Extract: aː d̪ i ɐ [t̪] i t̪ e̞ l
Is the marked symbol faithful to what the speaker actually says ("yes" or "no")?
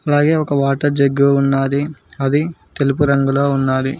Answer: no